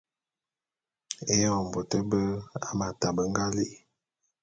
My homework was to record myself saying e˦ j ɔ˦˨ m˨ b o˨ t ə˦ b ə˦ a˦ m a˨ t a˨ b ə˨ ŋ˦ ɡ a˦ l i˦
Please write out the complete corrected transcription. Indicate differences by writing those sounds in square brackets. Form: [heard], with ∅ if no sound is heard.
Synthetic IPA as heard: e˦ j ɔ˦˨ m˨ b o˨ t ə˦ b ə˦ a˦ m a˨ t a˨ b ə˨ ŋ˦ ɡ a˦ l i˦